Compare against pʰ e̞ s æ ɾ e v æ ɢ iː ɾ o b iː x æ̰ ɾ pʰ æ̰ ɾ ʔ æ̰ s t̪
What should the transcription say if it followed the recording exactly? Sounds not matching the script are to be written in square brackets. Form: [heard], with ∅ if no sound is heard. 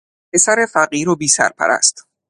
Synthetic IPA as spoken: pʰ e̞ s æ ɾ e [f] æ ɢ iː ɾ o b iː [s] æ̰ ɾ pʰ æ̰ ɾ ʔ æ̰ s t̪